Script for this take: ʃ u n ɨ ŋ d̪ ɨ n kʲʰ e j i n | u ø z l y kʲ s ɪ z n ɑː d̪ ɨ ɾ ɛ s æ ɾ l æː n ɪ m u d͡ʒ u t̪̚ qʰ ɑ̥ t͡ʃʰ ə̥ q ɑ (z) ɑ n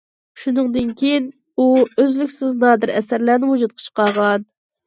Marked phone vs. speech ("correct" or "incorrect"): incorrect